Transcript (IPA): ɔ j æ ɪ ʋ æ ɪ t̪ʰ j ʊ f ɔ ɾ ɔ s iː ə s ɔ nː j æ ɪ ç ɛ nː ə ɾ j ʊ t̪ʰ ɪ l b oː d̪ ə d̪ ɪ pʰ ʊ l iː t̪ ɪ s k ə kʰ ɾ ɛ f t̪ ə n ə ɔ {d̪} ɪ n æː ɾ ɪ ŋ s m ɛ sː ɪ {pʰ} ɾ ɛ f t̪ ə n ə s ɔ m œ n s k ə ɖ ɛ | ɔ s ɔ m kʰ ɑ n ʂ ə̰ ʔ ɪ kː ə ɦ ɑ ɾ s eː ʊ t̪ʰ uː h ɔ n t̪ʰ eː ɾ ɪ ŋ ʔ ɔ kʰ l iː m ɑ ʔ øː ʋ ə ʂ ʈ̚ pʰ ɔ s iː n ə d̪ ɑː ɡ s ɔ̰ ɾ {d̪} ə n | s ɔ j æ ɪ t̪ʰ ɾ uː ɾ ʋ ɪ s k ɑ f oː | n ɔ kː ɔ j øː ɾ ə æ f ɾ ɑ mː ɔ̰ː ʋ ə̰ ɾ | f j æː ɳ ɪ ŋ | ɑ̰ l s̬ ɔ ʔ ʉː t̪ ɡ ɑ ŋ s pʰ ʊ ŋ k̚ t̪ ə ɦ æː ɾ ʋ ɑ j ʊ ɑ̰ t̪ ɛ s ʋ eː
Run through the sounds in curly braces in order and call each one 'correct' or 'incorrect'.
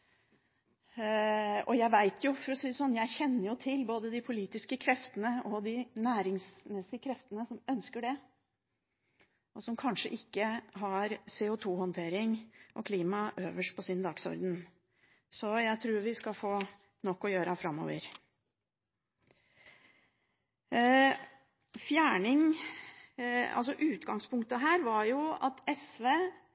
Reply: correct, incorrect: kʰ, correct

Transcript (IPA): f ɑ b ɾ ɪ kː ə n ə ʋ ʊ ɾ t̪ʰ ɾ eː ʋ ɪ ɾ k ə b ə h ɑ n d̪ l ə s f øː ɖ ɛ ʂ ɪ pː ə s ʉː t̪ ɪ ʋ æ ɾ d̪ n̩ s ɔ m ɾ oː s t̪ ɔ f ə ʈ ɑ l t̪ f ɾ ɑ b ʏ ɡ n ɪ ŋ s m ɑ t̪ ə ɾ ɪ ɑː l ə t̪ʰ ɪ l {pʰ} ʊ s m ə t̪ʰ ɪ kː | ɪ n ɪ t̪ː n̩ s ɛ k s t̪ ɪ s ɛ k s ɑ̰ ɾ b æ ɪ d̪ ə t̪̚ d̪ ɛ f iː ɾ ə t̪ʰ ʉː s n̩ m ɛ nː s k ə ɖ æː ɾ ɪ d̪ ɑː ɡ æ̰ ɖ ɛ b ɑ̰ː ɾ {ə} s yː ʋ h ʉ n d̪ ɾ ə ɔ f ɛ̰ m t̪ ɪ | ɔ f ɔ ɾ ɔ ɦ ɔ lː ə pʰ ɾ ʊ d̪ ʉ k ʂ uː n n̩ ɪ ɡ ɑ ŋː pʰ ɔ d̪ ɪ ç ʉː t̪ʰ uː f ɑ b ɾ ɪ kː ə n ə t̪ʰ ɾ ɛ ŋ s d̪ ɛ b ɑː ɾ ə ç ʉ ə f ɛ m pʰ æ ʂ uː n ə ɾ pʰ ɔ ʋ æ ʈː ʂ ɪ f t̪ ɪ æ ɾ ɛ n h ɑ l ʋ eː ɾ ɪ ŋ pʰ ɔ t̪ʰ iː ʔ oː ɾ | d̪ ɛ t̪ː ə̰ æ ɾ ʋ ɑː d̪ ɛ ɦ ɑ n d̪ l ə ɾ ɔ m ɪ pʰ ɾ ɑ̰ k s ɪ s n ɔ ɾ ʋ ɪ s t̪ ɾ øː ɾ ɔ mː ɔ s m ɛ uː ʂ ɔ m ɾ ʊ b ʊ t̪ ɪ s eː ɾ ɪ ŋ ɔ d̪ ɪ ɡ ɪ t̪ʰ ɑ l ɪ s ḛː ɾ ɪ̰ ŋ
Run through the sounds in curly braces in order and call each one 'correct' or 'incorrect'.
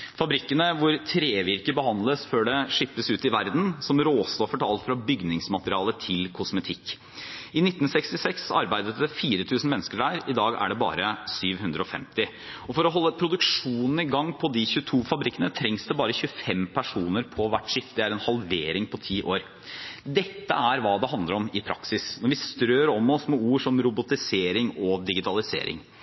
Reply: incorrect: kʰ, correct

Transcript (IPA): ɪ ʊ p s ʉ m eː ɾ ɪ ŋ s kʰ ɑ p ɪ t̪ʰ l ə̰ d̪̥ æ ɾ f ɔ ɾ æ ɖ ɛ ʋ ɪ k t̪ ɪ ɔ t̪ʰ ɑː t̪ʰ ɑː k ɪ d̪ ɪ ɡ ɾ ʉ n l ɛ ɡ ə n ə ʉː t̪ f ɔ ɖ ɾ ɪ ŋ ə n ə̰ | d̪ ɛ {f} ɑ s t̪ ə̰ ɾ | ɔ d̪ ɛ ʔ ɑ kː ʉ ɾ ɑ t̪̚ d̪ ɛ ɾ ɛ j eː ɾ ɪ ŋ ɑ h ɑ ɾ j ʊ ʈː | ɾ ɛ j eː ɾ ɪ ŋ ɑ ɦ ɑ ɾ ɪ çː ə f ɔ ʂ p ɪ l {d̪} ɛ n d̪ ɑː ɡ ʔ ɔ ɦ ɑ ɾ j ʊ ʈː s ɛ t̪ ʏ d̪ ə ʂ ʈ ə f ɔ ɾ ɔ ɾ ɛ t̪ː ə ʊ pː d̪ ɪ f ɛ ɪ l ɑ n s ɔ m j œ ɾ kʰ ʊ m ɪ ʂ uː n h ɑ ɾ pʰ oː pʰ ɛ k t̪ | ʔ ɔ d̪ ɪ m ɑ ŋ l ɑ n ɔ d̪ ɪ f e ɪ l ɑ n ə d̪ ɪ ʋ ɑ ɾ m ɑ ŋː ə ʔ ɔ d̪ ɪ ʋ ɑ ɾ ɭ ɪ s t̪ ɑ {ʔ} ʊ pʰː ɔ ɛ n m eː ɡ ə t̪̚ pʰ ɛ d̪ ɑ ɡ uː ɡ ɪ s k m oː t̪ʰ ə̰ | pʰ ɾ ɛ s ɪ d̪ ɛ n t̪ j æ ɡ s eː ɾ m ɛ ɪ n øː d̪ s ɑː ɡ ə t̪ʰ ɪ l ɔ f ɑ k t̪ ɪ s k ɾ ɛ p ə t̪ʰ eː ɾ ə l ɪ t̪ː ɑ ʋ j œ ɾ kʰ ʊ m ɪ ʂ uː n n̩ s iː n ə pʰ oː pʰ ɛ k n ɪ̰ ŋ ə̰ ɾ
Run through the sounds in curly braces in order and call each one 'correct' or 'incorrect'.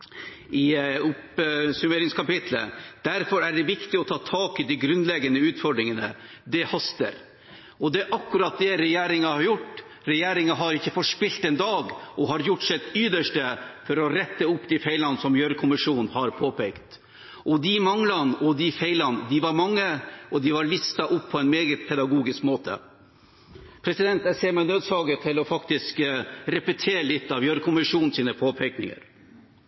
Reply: incorrect: h, incorrect: t̪, correct

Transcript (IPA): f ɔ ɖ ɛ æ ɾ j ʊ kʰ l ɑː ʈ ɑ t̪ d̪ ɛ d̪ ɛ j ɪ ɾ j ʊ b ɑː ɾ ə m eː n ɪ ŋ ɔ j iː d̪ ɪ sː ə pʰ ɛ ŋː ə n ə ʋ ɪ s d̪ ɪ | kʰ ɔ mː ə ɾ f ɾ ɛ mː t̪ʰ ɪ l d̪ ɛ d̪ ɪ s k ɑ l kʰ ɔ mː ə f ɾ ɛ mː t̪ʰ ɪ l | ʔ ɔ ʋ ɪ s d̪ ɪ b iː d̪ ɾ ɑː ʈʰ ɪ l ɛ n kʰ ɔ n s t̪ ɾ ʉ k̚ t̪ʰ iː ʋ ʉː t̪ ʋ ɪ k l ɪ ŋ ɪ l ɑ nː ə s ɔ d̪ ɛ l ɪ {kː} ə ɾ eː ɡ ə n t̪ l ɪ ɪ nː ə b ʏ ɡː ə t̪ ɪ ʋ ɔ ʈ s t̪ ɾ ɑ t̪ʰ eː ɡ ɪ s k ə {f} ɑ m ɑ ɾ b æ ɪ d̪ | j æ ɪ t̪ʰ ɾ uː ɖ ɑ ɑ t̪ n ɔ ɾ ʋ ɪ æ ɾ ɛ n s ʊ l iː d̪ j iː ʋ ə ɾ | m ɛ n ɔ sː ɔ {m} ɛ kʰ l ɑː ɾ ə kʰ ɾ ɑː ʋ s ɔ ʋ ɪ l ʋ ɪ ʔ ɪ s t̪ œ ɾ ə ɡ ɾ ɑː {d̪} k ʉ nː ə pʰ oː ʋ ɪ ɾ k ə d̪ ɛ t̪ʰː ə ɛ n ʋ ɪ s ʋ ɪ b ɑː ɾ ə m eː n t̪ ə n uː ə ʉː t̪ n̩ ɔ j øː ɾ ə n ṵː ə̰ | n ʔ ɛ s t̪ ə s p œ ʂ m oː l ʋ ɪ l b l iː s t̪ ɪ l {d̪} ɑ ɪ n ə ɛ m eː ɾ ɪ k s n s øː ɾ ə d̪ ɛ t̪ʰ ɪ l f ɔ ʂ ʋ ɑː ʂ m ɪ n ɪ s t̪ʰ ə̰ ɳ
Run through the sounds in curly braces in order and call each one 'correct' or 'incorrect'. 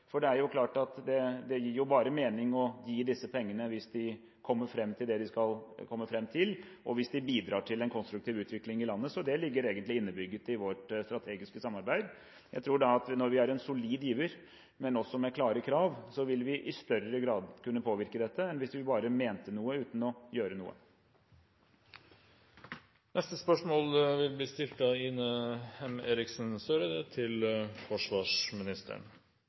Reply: incorrect: ɡː, incorrect: s, correct, correct, incorrect: t̪

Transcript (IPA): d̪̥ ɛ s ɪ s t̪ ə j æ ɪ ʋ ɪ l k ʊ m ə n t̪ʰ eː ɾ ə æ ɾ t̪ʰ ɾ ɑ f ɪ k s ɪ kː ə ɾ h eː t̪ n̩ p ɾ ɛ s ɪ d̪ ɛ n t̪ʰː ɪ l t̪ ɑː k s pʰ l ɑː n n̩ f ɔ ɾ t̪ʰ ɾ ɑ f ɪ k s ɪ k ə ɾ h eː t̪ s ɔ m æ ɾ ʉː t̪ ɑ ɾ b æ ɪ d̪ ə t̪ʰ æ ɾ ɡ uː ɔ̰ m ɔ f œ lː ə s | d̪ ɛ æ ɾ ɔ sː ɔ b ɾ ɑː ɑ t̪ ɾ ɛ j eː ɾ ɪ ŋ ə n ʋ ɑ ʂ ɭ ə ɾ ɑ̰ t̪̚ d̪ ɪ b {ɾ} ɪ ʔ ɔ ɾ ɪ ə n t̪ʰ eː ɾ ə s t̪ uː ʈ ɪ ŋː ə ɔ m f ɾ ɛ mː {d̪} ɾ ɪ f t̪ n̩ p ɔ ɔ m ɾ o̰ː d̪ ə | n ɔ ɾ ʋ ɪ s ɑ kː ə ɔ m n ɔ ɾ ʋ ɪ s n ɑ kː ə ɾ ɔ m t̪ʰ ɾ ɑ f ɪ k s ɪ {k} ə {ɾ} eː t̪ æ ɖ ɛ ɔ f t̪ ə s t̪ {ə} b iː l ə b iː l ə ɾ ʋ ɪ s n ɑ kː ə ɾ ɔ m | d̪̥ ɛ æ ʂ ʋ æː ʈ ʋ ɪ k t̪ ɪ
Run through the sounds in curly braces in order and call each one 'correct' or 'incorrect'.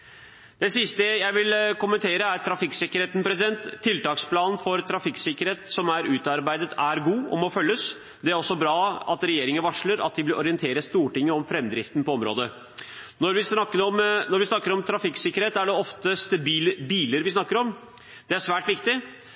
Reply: incorrect: l, correct, correct, correct, correct

